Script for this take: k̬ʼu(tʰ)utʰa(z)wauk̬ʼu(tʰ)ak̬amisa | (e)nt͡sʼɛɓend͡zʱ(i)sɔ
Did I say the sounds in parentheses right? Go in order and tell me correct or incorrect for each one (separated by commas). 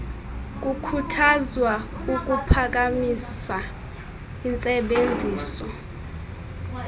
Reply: incorrect, correct, incorrect, incorrect, incorrect